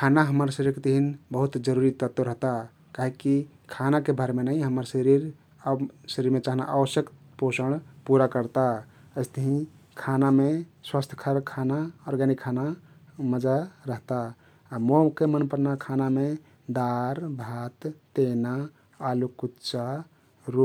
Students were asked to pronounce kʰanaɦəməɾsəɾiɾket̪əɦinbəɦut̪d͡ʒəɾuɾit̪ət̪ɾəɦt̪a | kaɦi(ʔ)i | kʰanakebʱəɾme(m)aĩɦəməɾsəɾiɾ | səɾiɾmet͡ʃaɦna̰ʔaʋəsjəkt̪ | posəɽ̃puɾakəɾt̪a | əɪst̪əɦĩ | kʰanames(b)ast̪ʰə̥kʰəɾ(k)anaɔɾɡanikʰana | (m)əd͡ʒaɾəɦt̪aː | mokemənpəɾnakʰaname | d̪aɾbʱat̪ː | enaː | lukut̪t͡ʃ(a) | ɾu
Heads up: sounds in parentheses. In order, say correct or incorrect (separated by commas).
incorrect, incorrect, incorrect, incorrect, correct, correct